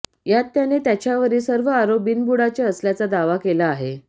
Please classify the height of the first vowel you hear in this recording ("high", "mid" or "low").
low